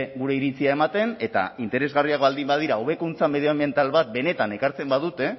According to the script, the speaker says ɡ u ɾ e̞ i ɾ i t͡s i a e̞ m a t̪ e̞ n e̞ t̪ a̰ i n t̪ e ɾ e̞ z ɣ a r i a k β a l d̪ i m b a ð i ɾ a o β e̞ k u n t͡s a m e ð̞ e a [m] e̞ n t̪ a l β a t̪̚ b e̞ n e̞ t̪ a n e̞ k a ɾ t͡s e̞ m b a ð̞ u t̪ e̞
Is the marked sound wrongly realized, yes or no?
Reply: no